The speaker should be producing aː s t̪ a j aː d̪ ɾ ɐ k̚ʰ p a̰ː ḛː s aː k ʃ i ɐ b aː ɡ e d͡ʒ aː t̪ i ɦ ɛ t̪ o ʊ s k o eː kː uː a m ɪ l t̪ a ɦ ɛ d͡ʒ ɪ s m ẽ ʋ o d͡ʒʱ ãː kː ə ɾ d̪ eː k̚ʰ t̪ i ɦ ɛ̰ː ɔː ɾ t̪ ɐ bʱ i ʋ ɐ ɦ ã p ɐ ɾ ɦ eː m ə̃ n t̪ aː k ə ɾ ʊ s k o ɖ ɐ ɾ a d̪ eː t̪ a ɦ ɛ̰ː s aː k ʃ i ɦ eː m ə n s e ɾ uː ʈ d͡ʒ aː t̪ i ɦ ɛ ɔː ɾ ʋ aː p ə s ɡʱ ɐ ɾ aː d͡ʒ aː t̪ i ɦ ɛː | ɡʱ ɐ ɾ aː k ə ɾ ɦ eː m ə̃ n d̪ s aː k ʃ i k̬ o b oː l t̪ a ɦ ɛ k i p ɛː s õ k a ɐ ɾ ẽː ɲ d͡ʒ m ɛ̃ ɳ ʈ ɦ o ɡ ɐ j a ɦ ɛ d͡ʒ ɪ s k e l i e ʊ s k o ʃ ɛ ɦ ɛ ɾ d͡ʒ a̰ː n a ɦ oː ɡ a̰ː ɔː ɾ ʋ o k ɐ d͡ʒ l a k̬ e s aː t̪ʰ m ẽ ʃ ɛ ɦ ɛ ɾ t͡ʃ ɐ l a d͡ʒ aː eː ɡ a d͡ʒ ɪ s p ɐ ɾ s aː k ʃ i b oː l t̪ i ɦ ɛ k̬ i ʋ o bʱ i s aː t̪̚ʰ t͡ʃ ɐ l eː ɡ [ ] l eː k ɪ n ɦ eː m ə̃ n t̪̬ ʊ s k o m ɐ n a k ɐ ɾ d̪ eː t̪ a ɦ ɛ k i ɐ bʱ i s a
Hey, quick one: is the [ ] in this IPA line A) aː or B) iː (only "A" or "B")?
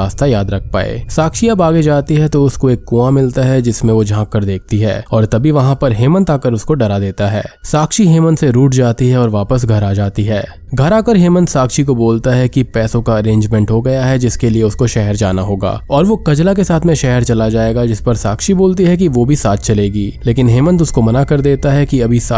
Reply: B